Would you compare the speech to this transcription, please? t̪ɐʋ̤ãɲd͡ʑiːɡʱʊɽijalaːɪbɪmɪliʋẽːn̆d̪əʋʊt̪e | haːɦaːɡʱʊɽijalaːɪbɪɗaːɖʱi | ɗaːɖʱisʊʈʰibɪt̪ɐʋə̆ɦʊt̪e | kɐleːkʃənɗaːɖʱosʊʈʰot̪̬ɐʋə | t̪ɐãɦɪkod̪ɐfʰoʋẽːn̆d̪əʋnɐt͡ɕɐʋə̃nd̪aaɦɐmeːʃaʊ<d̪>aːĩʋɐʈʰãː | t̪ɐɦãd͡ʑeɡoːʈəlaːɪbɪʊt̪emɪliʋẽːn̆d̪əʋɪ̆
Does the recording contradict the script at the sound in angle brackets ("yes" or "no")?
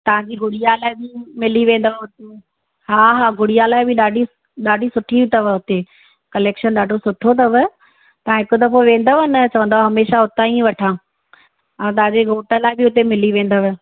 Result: yes